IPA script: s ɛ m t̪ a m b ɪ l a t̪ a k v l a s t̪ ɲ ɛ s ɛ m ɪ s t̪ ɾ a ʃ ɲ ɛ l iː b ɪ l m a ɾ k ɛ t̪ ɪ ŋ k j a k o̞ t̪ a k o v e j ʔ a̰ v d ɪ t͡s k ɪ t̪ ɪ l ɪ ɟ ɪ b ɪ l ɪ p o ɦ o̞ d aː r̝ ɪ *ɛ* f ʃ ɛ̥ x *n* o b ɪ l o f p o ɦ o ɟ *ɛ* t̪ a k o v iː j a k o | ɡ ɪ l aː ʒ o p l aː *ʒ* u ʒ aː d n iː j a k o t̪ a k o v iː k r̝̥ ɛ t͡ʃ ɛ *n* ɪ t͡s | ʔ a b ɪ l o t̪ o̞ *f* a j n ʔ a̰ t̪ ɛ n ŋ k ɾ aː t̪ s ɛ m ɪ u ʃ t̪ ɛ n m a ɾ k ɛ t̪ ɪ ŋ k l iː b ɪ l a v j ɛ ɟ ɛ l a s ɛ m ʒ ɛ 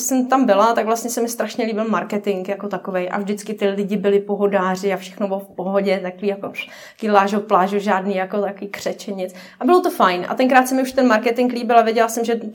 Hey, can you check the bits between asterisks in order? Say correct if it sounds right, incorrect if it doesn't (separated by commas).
incorrect, correct, correct, correct, incorrect, correct